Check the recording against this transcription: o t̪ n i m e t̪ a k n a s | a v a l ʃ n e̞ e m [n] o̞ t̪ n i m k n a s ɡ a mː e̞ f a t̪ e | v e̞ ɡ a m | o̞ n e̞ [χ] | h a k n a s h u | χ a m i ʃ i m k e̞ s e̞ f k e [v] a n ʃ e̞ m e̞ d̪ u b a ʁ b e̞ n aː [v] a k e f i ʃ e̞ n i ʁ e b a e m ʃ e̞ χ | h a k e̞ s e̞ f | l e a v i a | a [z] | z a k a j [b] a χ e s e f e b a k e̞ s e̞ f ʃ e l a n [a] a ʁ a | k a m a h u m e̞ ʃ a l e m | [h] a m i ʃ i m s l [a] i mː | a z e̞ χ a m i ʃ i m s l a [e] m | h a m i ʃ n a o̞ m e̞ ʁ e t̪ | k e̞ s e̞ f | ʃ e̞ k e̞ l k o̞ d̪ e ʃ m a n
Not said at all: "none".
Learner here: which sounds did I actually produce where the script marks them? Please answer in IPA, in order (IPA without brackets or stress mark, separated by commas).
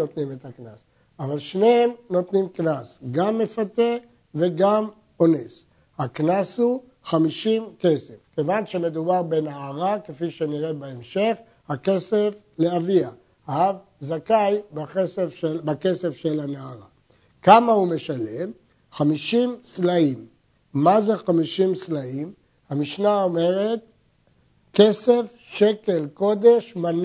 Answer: n, s, v, ʁ, v, b, a, χ, a, i